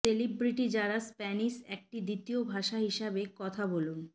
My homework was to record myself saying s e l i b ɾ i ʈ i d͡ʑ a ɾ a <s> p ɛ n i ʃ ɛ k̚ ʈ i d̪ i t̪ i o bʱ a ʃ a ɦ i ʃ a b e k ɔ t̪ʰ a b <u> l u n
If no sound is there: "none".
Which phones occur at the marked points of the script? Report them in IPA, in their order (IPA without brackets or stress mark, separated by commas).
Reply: s, o